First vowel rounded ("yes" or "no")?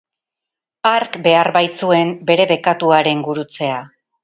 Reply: no